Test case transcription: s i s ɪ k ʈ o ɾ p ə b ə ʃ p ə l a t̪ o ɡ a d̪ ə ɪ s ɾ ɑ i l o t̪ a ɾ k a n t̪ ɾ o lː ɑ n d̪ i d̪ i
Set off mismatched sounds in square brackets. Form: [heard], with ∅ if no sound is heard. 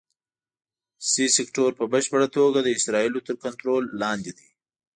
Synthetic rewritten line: s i s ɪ k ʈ o ɾ p ə b ə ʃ p ə [ɽ] a t̪ o ɡ a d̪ ə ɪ s ɾ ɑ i l o t̪ [ə] ɾ k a n t̪ ɾ o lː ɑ n d̪ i d̪ i